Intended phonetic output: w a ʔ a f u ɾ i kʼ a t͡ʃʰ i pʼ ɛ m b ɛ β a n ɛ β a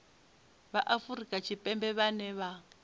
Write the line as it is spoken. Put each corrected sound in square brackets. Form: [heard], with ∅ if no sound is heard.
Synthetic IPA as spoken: [β] a ʔ a f u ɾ i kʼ a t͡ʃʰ i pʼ ɛ m b ɛ β a n ɛ β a